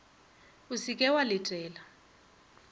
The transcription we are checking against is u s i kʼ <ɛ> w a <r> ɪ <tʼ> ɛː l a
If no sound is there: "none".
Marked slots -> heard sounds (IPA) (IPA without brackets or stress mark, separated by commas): ɛ, l, tʼ